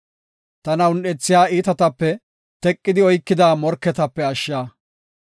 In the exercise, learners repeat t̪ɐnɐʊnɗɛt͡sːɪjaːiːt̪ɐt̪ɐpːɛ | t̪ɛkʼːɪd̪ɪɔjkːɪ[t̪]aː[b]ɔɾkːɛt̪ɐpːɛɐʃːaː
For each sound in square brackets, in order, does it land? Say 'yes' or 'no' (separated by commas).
no, no